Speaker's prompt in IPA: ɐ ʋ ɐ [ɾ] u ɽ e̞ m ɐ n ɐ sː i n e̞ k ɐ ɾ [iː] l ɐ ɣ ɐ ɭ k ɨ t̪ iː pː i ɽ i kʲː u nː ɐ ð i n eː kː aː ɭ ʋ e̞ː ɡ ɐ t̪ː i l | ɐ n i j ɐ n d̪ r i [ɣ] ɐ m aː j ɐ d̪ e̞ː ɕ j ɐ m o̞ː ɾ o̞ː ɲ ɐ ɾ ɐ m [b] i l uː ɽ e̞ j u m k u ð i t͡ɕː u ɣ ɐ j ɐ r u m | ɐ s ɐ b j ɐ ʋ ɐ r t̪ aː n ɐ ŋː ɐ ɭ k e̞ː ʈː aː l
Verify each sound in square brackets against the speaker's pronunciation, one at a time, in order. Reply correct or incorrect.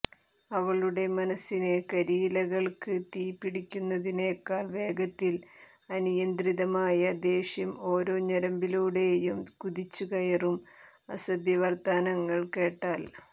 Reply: incorrect, correct, incorrect, correct

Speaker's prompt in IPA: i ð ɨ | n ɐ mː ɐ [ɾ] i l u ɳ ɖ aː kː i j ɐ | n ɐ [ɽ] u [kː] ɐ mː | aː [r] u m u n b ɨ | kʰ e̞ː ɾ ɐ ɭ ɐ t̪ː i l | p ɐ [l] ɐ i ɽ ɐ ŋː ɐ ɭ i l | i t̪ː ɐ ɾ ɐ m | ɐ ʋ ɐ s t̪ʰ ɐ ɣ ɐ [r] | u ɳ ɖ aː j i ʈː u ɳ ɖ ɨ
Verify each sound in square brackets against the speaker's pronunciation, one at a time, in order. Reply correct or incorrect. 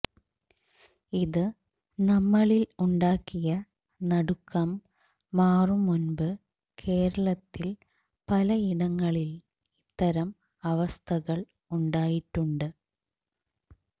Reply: incorrect, correct, correct, correct, correct, incorrect

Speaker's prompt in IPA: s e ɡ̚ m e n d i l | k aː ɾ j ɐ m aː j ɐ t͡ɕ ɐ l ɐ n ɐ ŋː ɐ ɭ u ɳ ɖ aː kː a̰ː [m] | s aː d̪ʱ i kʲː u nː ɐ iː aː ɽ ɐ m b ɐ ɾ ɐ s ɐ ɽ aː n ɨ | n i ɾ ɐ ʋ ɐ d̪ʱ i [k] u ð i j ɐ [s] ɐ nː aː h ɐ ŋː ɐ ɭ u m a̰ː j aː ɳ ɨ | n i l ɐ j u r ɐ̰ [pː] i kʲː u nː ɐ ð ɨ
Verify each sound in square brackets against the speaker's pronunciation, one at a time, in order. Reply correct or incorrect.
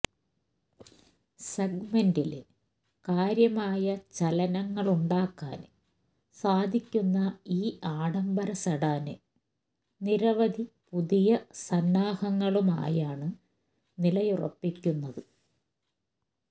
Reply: incorrect, incorrect, correct, correct

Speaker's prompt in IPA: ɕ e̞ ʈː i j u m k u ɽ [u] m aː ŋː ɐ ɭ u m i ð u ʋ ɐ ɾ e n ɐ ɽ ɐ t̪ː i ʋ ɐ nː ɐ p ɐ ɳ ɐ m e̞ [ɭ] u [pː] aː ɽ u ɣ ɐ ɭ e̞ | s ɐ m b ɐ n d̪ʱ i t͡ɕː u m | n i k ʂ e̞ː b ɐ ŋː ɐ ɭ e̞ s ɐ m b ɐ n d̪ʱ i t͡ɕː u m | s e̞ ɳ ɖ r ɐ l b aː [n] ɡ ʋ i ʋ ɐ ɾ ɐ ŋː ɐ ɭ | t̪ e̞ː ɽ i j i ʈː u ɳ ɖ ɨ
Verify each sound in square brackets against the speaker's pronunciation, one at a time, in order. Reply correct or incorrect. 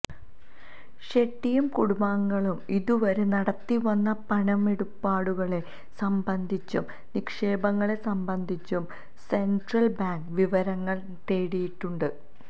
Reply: correct, incorrect, correct, incorrect

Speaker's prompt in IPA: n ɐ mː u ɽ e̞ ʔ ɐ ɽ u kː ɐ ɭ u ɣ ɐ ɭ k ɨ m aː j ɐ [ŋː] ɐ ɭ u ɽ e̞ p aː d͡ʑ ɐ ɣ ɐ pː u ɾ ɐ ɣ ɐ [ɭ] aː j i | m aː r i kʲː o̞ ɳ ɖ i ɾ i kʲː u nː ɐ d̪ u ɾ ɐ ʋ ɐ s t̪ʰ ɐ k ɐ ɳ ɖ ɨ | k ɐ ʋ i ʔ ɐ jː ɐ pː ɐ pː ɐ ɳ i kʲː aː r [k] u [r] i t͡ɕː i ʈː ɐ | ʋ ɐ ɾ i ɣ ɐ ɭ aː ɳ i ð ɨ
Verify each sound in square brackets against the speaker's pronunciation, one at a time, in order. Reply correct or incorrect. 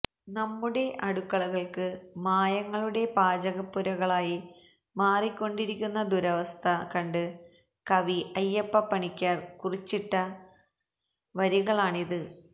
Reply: correct, correct, correct, correct

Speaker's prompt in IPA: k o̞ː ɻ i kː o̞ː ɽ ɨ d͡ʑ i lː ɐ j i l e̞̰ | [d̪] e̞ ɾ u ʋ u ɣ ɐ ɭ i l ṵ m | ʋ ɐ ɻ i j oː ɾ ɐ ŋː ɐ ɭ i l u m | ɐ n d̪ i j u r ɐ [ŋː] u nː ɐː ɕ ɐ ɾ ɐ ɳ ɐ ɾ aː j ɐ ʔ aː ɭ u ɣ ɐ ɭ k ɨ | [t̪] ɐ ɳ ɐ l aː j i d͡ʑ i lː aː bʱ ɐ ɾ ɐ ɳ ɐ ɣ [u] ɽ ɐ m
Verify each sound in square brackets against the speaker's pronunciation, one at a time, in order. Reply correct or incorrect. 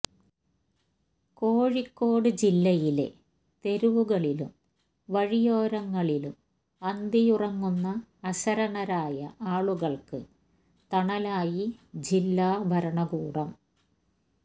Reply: incorrect, correct, correct, incorrect

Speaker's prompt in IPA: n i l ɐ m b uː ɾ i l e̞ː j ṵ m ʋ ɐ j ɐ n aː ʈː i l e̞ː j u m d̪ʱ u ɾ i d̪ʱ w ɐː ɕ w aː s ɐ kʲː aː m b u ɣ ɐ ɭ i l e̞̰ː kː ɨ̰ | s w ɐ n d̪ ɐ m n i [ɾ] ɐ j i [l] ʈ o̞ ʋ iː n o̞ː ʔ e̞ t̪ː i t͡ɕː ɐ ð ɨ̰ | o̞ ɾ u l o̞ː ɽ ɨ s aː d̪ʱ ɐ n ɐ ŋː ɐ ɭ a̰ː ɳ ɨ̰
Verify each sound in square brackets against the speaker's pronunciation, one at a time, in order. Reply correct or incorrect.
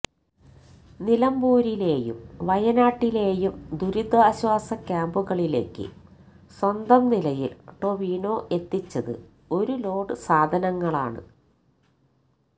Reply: incorrect, correct

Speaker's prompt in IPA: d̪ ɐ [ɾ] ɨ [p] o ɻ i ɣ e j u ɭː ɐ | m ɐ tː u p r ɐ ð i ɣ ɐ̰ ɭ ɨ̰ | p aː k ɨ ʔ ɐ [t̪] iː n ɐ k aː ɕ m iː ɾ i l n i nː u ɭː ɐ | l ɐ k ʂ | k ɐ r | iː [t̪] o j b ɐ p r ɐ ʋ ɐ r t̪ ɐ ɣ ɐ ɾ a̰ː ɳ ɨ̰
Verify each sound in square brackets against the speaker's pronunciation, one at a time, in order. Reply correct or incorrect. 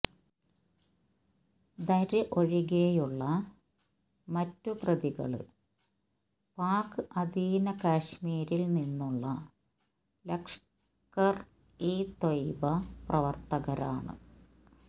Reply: correct, incorrect, incorrect, correct

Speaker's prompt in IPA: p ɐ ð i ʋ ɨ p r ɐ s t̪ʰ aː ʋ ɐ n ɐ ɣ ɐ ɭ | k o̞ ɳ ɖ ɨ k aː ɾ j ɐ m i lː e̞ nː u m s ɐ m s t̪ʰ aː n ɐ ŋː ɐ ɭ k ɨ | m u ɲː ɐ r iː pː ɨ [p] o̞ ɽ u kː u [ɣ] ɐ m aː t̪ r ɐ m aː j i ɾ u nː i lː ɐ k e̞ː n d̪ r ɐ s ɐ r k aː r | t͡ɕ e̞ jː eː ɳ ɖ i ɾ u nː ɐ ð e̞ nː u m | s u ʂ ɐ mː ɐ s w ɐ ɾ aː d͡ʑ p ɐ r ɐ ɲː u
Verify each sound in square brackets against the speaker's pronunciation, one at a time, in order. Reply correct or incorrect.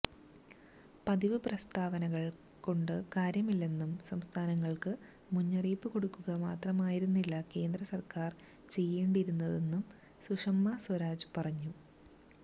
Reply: incorrect, correct

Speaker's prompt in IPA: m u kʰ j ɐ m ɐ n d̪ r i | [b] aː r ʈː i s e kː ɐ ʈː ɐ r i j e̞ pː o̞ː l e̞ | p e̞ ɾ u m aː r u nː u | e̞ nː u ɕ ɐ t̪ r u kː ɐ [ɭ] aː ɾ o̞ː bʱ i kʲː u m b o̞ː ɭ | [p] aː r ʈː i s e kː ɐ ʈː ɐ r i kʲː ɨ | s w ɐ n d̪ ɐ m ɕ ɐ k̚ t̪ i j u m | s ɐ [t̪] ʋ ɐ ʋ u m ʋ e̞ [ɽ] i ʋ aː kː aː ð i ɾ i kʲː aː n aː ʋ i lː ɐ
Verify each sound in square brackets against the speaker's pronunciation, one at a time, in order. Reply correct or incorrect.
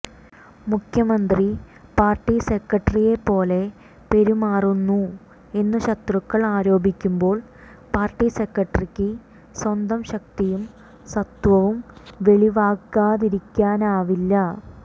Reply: incorrect, correct, correct, correct, incorrect

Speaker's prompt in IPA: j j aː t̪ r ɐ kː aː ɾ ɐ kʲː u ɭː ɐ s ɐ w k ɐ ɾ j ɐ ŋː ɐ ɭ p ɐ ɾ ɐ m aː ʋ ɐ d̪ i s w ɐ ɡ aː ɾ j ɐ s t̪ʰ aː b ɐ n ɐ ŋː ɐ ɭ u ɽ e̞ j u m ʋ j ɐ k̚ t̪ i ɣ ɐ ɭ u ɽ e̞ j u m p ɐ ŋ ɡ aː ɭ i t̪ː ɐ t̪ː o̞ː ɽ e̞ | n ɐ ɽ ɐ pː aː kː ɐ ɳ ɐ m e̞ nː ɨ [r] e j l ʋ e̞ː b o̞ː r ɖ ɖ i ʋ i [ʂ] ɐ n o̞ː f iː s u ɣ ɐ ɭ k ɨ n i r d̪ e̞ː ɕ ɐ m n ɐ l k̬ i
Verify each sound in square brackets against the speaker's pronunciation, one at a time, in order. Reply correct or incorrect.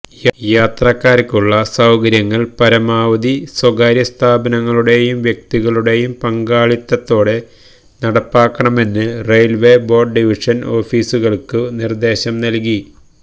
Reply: correct, correct

